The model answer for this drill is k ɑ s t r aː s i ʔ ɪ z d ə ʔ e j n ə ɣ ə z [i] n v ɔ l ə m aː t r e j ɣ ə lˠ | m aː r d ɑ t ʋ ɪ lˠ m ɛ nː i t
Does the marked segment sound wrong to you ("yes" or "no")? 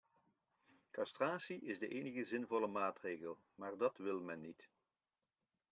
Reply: yes